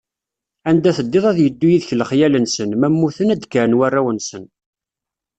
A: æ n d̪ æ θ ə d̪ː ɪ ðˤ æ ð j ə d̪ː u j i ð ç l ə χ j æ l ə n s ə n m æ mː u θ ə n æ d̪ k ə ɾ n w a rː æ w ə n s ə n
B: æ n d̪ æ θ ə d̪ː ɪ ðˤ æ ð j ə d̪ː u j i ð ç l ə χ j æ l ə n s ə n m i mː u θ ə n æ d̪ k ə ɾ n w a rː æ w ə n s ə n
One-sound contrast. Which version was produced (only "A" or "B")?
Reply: A